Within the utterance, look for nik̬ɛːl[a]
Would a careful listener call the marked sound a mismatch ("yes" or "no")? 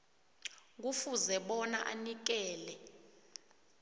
yes